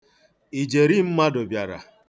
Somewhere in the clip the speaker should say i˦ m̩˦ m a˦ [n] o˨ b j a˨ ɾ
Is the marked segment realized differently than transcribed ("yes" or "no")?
yes